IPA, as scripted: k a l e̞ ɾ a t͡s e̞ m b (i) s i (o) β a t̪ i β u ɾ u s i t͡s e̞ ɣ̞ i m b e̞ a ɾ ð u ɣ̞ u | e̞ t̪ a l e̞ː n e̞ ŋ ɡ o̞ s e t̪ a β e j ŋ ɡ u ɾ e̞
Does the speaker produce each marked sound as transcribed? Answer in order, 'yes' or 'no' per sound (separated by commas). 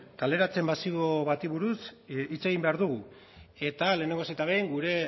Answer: no, yes